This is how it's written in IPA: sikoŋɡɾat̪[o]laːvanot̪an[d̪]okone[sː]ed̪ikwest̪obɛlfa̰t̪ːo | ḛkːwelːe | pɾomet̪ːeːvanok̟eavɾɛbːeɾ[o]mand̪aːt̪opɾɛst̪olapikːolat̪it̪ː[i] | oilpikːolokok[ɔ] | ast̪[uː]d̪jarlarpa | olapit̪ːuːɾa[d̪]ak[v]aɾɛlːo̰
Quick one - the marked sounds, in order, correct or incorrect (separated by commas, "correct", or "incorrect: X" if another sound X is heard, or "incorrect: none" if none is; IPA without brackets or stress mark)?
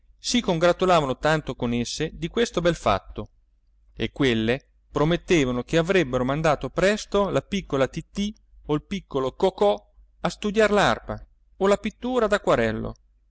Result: incorrect: u, incorrect: t̪, correct, correct, correct, correct, incorrect: u, correct, incorrect: w